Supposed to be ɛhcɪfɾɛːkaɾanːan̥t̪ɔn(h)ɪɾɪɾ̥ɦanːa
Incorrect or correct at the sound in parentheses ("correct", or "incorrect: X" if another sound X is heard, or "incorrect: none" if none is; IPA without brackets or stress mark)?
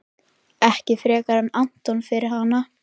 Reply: incorrect: f